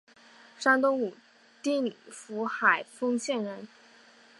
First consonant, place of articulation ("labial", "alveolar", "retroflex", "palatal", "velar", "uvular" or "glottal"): retroflex